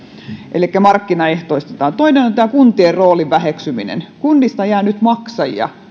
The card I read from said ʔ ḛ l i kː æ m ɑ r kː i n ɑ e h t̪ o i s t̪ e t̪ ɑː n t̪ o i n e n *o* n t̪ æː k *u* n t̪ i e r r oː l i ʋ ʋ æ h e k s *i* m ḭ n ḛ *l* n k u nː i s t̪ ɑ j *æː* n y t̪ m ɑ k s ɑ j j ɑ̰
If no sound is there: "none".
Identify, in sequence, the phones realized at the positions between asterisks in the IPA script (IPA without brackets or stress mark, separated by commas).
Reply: o, u, y, none, æː